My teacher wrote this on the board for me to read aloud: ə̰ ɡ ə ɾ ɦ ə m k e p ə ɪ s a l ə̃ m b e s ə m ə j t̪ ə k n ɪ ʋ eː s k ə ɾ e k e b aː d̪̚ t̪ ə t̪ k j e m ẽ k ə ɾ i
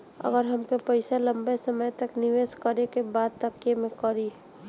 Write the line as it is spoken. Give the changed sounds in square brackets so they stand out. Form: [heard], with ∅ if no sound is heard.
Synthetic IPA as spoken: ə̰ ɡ ə ɾ ɦ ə m k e p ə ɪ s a l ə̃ m b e s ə m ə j t̪ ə k n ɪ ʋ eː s k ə ɾ e k e b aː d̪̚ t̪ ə [∅] k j e m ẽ k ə ɾ i

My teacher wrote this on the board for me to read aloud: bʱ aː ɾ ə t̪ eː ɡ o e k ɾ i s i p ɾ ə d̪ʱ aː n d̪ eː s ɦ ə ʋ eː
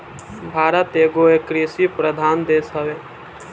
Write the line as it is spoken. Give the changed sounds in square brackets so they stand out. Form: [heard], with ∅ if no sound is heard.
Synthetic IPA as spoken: bʱ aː ɾ ə t̪ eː ɡ o e k ɾ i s i p ɾ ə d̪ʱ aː n d̪ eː s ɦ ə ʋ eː

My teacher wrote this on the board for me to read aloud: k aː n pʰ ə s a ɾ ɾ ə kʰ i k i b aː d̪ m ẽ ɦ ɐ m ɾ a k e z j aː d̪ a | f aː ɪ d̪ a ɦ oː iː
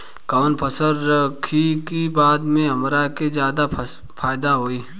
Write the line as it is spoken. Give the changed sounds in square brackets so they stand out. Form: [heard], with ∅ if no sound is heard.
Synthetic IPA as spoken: k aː n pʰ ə s [ə] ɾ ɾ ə kʰ i k i b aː d̪ m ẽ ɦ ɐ m ɾ a k e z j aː d̪ a | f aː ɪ d̪ a ɦ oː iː

